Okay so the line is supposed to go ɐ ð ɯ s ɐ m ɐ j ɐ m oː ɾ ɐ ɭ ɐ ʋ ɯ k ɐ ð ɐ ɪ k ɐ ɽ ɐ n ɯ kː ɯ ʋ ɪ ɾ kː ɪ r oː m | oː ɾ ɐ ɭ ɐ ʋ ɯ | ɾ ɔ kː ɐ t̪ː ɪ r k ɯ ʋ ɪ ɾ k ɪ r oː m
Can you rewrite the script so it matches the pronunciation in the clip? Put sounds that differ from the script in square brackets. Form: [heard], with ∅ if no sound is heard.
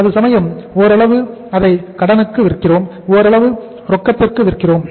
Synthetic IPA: ɐ ð ɯ s ɐ m ɐ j ɐ m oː ɾ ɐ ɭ ɐ ʋ ɯ [∅] ɐ ð ɐ ɪ k ɐ ɽ ɐ n ɯ kː ɯ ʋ ɪ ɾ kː ɪ r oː m | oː ɾ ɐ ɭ ɐ ʋ ɯ | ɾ ɔ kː ɐ t̪ː ɪ r k ɯ ʋ ɪ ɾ k ɪ r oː m